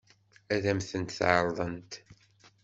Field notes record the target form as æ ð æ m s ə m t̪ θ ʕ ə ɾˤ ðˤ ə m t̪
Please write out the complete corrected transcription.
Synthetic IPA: æ ð æ m θ ə n t̪ θ ʕ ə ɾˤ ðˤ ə n t̪